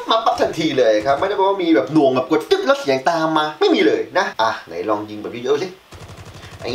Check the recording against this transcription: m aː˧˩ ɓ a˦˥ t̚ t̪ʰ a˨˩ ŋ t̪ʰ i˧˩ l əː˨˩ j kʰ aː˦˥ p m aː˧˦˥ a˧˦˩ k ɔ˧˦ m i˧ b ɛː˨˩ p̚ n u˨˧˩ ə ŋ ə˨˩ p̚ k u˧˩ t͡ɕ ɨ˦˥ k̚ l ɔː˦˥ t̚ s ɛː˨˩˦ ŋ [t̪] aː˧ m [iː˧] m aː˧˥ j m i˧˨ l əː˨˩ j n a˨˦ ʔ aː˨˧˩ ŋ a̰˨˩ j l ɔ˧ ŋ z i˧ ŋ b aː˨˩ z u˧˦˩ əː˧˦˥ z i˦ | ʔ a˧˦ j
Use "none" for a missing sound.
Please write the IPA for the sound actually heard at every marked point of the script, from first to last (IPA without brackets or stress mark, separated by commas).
t̪, aː˧